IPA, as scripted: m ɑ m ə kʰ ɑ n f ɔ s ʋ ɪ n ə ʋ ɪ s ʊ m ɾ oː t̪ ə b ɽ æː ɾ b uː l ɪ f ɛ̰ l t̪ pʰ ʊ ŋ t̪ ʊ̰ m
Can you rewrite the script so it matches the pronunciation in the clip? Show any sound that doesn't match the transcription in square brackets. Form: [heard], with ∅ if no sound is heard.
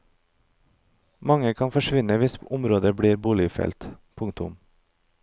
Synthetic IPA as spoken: m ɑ [ŋ] ə kʰ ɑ n f ɔ [ʃ] ʋ ɪ n ə ʋ ɪ s ʊ m ɾ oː [d̪] ə b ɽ [iː] ɾ b uː l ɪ f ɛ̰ l t̪ pʰ ʊ ŋ t̪ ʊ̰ m